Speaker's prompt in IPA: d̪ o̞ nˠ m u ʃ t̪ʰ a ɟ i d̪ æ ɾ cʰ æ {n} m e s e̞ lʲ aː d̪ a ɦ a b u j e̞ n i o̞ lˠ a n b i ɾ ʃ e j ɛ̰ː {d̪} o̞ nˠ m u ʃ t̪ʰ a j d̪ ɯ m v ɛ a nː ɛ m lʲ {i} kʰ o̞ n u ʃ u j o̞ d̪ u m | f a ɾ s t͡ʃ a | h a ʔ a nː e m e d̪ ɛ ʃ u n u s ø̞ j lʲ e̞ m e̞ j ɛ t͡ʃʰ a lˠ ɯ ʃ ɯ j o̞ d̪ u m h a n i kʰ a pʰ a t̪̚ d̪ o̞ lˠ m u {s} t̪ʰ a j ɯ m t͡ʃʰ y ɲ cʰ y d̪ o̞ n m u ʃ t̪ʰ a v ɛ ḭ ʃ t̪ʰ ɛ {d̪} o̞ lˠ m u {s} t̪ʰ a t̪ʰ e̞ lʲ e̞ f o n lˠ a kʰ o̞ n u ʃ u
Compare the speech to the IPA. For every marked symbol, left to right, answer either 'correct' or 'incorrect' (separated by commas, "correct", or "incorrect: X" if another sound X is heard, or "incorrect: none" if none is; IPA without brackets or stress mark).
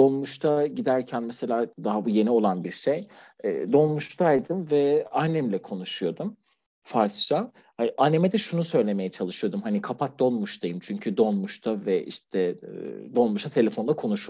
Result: correct, correct, incorrect: ɛ, incorrect: ʃ, correct, incorrect: ʃ